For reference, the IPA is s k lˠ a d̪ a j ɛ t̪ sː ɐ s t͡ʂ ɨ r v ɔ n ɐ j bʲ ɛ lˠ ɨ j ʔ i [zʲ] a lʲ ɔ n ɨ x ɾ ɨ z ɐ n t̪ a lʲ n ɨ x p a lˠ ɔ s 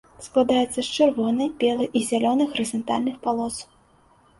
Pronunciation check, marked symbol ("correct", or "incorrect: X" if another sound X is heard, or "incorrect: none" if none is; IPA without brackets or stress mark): correct